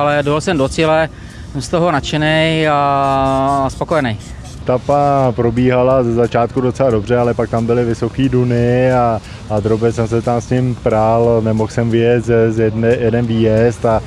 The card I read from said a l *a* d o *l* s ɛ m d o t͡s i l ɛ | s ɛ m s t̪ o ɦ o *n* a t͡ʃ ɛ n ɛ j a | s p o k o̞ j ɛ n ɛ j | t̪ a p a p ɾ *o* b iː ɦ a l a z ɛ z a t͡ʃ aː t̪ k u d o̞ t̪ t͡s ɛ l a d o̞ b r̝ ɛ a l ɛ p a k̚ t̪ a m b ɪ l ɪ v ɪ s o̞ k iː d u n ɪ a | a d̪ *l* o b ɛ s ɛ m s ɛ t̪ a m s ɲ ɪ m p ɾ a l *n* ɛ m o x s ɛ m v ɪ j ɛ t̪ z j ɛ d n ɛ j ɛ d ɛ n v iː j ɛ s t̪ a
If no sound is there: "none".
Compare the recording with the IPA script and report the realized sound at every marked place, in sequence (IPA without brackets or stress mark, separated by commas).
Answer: ɛ, l, n, o, ɾ, n